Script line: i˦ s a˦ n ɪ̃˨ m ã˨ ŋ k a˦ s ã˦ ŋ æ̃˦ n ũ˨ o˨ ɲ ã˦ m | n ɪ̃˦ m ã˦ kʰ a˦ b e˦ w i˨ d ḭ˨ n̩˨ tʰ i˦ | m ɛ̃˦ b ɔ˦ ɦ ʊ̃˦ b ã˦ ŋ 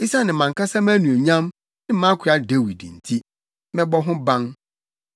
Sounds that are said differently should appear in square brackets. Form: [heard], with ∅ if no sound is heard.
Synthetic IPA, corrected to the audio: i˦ s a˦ n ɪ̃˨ m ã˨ ŋ k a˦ s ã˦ [m] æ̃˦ n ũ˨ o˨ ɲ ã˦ m | n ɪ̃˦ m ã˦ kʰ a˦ [d] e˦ w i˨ d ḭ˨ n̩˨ tʰ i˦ | m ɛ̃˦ b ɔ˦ ɦ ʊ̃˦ b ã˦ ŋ